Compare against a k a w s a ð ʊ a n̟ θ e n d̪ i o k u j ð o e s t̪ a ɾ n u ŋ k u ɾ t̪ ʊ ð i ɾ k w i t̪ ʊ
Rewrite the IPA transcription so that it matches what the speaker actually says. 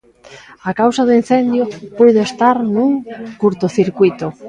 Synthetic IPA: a k a w s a ð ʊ i n̟ θ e n d̪ j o p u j ð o e s t̪ a ɾ n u ŋ k u ɾ t̪ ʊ θ i ɾ k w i t̪ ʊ